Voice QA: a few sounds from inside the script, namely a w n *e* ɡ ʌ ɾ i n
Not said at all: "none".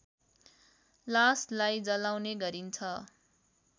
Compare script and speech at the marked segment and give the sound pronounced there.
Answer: e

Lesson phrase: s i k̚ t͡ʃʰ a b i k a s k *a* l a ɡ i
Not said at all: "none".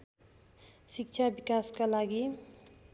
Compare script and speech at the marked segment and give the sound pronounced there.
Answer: a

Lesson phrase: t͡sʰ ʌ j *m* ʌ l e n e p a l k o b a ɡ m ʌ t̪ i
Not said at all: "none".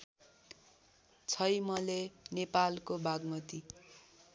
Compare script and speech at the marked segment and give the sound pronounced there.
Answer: m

